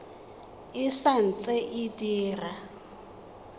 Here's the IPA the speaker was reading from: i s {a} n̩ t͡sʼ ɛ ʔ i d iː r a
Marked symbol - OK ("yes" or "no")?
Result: yes